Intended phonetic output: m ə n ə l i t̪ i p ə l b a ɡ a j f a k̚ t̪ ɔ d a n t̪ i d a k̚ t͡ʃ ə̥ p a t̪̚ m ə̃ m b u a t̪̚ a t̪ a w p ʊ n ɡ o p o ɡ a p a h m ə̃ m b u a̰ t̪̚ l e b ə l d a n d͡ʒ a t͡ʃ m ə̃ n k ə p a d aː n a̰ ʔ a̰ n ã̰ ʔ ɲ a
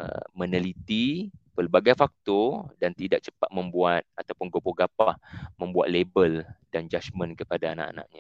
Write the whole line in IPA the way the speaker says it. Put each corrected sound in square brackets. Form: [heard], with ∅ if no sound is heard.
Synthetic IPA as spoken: m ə n ə l i t̪ i p ə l b a ɡ a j f a k̚ t̪ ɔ d a n t̪ i d a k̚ t͡ʃ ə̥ p a t̪̚ m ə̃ m b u a t̪̚ a t̪ a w p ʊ n ɡ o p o ɡ a p a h m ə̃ m b u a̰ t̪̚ l e b ə l d a n d͡ʒ a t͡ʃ m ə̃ n k ə p a d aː n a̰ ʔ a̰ n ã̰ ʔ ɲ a